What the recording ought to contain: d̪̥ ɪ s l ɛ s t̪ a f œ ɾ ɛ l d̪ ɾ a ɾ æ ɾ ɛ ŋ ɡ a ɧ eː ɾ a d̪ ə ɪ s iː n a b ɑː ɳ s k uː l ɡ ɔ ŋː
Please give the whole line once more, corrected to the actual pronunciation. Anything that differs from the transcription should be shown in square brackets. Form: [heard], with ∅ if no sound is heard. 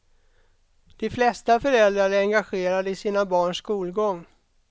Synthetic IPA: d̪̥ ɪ [f] l ɛ s t̪ a f œ ɾ ɛ l d̪ ɾ a ɾ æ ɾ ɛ ŋ ɡ a ɧ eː ɾ a d̪ ə ɪ s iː n a b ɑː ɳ [ʂ] k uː l ɡ ɔ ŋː

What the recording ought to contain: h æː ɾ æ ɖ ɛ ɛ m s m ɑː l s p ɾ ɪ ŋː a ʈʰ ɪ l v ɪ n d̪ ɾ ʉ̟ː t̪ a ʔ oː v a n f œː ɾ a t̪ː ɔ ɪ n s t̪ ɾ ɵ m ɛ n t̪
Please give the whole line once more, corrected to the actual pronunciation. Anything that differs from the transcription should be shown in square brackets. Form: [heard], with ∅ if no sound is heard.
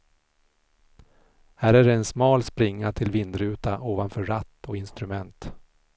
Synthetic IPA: h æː ɾ æ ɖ ɛ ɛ [n] s m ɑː l s p ɾ ɪ ŋː a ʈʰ ɪ l v ɪ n d̪ ɾ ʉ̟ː t̪ a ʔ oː v a n f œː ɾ a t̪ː ɔ ɪ n s t̪ ɾ ɵ m ɛ n t̪

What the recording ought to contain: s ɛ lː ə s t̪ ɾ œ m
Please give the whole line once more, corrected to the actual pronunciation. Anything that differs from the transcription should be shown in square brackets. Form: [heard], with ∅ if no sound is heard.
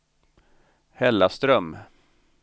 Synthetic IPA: [h] ɛ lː [a] s t̪ ɾ œ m

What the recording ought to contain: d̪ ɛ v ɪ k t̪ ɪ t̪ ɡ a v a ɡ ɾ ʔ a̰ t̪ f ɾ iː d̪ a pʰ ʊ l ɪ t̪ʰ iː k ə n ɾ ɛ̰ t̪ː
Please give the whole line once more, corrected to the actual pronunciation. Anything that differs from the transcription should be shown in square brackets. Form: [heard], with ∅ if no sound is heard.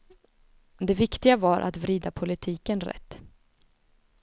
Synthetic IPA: d̪ ɛ v ɪ k t̪ ɪ [∅] ɡ a v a [∅] ɾ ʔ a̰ t̪ [v] ɾ iː d̪ a pʰ ʊ l ɪ t̪ʰ iː k ə n ɾ ɛ̰ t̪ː

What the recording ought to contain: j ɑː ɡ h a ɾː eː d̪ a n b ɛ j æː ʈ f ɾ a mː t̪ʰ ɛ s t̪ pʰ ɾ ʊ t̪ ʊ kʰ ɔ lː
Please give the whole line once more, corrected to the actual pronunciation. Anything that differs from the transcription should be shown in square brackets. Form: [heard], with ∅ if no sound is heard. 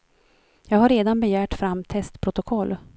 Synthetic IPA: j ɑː ɡ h a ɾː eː d̪ a n b ɛ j æː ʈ f ɾ a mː t̪ʰ ɛ s t̪ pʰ ɾ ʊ t̪ ʊ kʰ ɔ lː

